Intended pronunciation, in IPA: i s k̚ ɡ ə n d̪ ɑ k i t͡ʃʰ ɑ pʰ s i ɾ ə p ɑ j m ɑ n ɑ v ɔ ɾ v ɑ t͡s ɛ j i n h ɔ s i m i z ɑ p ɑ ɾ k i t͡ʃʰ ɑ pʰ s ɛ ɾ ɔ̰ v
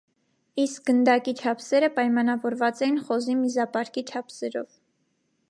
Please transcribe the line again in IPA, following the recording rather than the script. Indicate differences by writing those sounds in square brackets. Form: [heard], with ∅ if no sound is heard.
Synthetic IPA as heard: i s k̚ ɡ ə n d̪ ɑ k i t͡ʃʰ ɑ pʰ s [ɛ] ɾ ə p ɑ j m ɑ n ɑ v ɔ ɾ v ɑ t͡s ɛ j i n [χ] ɔ [z] i m i z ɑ p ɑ ɾ k i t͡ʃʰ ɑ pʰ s ɛ ɾ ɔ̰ v